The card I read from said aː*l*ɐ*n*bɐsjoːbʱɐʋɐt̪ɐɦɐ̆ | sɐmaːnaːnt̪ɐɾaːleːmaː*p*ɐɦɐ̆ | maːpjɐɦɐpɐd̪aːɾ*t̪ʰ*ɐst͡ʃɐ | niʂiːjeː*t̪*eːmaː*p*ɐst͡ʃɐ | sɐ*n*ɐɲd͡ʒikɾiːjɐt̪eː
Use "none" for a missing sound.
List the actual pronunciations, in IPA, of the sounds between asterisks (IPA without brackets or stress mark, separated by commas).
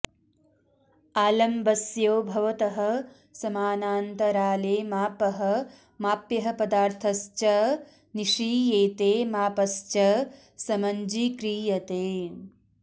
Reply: l, m, p, t̪ʰ, t̪, p, m